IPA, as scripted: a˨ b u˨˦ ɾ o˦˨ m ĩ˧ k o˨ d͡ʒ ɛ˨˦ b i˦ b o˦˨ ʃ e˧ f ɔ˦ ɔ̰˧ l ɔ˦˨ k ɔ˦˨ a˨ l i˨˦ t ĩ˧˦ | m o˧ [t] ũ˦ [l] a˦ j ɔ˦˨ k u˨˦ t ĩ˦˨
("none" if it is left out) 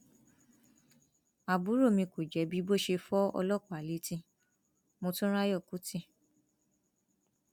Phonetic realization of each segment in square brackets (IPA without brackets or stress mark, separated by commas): t, ɾ